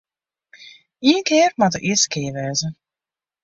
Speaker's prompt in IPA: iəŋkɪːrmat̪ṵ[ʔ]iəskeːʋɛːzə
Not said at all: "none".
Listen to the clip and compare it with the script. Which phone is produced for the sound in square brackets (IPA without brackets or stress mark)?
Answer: ʔ